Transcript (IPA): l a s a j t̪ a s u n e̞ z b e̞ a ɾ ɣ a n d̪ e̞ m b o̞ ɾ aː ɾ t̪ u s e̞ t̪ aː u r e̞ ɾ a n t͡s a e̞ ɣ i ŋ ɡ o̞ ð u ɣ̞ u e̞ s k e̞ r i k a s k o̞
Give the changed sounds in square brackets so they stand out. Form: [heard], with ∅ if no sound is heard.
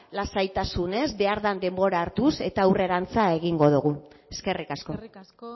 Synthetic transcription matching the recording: l a s a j t̪ a s u n e̞ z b e̞ a ɾ [ð] a n d̪ e̞ m b o̞ ɾ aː ɾ t̪ u s e̞ t̪ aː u r e̞ ɾ a n t͡s a e̞ ɣ i ŋ ɡ o̞ ð u ɣ̞ u e̞ s k e̞ r i k a s k o̞